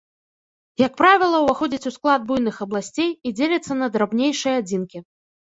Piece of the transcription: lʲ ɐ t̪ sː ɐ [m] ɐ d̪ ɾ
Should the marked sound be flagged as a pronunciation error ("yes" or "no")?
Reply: yes